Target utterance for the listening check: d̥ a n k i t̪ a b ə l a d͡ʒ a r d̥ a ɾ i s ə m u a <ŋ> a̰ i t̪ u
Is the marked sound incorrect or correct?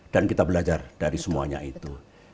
incorrect